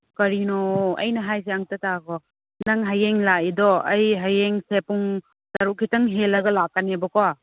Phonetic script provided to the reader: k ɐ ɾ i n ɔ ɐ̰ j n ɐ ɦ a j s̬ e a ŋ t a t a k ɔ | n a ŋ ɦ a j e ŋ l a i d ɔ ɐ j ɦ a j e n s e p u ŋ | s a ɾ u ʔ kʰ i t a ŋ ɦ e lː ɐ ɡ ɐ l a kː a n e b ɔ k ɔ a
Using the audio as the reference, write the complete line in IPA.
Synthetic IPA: k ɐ ɾ i n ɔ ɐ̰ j n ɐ ɦ a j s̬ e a ŋ t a t a k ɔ | n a ŋ ɦ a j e ŋ l a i d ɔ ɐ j ɦ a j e ŋ s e p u ŋ | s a ɾ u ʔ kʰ i t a ŋ ɦ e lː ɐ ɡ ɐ l a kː a n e b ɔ k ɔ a